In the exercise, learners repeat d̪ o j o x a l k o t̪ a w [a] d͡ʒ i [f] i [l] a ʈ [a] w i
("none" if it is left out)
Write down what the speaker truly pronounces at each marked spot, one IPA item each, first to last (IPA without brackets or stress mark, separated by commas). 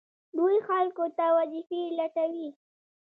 a, f, l, a